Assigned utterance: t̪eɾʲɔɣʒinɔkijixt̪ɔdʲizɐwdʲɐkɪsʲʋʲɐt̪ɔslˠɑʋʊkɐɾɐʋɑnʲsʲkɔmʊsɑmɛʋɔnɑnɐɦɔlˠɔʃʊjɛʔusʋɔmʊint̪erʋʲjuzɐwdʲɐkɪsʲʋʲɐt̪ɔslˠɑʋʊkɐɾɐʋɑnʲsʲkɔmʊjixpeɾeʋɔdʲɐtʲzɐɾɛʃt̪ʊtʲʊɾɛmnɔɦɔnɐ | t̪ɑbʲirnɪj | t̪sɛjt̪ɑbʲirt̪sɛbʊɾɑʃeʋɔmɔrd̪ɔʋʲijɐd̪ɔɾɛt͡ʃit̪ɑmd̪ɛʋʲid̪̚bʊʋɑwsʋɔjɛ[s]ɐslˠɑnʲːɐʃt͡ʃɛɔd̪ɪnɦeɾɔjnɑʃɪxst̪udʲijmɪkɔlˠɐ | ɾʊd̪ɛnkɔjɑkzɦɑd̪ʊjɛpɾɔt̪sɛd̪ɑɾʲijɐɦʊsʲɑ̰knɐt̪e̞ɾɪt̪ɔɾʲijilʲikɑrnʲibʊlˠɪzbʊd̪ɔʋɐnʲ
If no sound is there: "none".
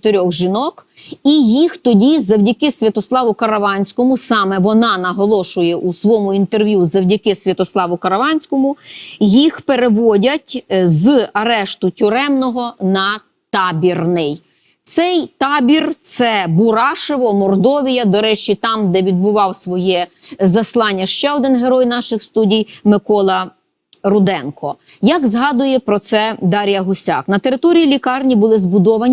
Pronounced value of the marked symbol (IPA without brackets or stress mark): z